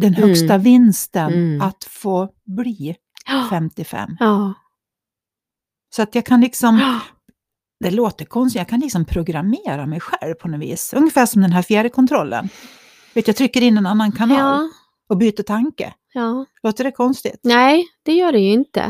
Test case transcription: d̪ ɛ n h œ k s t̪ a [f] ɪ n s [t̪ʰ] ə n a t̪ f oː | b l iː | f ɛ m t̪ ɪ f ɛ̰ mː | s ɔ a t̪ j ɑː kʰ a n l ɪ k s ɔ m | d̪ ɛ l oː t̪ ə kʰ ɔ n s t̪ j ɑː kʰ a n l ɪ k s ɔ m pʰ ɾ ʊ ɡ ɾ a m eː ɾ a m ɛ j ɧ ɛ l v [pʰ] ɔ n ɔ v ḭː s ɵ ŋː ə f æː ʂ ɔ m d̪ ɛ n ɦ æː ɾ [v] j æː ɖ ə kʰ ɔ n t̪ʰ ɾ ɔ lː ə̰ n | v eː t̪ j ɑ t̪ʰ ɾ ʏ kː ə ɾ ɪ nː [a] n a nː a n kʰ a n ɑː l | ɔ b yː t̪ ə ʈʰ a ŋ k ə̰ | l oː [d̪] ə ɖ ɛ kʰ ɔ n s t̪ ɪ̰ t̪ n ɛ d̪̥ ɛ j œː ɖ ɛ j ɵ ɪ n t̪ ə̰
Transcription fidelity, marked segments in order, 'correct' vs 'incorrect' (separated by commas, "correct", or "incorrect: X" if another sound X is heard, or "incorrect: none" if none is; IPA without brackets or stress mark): incorrect: v, incorrect: t̪, correct, incorrect: f, incorrect: ɛ, incorrect: t̪